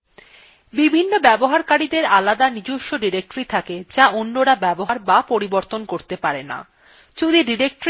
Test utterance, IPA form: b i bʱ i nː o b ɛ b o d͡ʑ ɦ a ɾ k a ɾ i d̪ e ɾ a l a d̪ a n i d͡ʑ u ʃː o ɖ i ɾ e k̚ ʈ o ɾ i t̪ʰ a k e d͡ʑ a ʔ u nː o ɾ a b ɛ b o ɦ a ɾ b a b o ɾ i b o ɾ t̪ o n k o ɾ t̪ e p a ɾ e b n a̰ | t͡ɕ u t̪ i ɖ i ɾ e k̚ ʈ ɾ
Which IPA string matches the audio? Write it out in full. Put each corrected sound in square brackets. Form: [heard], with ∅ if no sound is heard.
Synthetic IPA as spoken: b i bʱ i nː o b ɛ b o [∅] ɦ a ɾ k a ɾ i d̪ e ɾ a l a d̪ a n i d͡ʑ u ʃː o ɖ i ɾ e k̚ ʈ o ɾ i t̪ʰ a k e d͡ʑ a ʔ [o] nː o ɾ a b ɛ b o ɦ a ɾ b a [p] o ɾ i b o ɾ t̪ o n k o ɾ t̪ e p a ɾ e [∅] n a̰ | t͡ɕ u [d̪] i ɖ i ɾ e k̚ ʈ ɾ